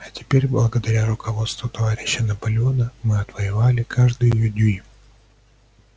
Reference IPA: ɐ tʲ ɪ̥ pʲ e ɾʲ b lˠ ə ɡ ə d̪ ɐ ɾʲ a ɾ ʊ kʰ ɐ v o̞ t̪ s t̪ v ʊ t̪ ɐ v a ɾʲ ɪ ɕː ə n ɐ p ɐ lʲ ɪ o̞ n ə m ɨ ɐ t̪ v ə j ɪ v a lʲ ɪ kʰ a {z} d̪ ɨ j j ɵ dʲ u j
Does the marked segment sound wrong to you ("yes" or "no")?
yes